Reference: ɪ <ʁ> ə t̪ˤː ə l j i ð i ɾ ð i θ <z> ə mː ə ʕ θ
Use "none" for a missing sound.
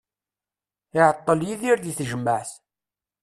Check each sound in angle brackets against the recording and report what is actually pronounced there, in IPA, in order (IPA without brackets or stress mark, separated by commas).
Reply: ʕ, ʒ